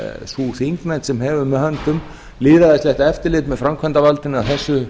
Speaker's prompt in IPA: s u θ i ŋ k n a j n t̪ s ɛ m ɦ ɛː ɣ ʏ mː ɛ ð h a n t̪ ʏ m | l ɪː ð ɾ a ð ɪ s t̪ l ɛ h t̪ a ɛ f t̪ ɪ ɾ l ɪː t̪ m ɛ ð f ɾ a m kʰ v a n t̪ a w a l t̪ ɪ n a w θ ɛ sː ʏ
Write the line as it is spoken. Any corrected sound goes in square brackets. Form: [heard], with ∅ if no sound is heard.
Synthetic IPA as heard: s u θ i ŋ k n a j n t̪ s ɛ m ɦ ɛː [v] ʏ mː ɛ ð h a n t̪ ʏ m | l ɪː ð ɾ a ð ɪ s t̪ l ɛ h t̪ a ɛ f t̪ ɪ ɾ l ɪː t̪ m ɛ ð f ɾ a m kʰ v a n t̪ a [v] a l t̪ ɪ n a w θ ɛ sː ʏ